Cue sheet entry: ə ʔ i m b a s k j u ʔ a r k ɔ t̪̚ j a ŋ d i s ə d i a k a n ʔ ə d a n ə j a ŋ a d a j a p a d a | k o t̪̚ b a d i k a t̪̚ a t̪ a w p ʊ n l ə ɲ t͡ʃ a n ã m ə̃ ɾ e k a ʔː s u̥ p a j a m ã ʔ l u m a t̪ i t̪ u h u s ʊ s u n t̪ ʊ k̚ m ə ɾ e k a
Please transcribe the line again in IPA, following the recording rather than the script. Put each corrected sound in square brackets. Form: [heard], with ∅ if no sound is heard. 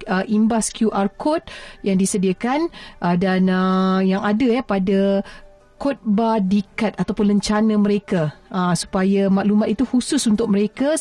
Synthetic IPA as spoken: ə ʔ i m b a s k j u ʔ a r k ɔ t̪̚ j a ŋ d i s ə d i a k a n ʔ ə d a n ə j a ŋ a d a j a p a d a | k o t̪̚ b a d i k a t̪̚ a t̪ a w p ʊ n l ə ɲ t͡ʃ a n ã m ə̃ ɾ e k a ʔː s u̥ p a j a m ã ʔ l u m a t̪ i t̪ u h u s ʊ s u n t̪ ʊ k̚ m ə ɾ e k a